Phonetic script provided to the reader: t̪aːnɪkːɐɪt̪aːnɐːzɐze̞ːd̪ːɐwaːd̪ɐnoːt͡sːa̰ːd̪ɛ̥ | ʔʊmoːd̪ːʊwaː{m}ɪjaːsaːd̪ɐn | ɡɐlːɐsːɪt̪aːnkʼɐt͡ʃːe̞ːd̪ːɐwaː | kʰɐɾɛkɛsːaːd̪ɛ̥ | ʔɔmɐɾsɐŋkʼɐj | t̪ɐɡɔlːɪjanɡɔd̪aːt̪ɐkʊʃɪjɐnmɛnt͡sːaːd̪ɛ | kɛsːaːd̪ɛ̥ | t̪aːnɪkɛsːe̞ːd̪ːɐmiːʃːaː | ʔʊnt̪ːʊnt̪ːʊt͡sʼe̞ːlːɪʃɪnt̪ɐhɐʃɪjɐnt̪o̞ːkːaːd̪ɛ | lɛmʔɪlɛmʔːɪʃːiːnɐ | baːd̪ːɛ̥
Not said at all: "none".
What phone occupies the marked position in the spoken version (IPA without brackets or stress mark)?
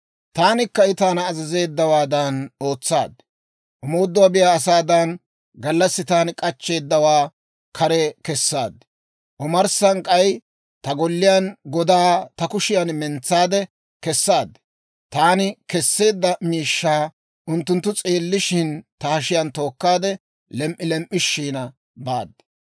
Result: b